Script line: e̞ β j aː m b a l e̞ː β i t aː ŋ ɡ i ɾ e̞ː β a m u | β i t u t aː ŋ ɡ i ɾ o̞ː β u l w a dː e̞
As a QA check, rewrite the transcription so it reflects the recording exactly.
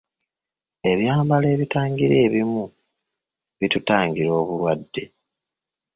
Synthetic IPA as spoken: e̞ β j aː m b a l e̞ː β i t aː ŋ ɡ i ɾ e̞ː β i m u | β i t u t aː ŋ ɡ i ɾ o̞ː β u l w a dː e̞